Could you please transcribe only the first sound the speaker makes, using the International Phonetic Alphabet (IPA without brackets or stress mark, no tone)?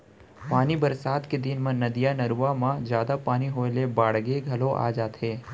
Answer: p